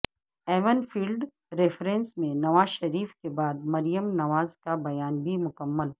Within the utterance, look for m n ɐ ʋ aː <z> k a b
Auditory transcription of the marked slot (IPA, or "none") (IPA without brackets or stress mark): z